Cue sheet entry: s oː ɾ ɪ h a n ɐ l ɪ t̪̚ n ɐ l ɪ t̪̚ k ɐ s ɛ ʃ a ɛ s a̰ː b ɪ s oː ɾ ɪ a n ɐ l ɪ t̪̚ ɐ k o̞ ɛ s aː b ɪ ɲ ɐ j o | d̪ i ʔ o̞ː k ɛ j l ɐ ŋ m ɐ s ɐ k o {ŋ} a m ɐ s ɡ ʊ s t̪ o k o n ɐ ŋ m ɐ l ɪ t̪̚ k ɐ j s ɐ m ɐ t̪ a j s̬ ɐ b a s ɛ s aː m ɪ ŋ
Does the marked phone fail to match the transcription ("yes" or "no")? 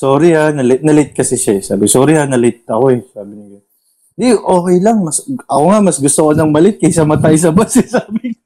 no